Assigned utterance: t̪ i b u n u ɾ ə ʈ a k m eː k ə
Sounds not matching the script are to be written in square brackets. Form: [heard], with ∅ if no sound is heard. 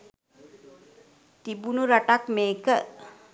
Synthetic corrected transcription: t̪ i b u n u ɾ [a] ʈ a k m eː k ə